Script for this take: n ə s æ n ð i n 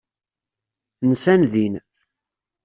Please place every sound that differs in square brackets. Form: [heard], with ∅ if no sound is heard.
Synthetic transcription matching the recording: n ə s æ n ð i n